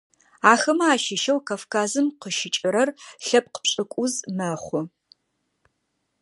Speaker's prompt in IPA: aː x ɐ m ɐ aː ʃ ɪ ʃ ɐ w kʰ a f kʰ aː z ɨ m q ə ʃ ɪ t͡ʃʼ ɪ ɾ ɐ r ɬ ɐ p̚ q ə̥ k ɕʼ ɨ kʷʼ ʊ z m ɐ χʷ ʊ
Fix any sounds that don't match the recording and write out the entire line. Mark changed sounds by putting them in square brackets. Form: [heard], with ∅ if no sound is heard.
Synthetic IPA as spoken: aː x ɐ m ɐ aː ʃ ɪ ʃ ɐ w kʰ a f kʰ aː z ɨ m q ə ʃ ɪ t͡ʃʼ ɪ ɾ ɐ r ɬ ɐ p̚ q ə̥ [p] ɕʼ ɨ kʷʼ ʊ z m ɐ χʷ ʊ